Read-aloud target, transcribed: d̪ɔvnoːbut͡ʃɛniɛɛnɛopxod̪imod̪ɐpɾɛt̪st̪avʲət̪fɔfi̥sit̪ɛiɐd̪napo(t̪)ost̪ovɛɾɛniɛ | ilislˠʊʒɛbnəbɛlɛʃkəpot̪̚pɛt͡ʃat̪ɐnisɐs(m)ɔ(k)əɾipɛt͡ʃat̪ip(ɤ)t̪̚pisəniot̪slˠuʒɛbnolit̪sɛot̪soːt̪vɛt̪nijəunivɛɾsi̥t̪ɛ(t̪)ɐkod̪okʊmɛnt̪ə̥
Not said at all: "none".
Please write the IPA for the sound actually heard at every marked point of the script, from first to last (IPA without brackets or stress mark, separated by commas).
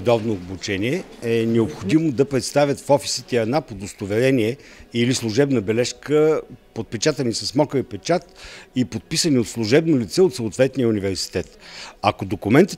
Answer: d̪, m, k, o, t̪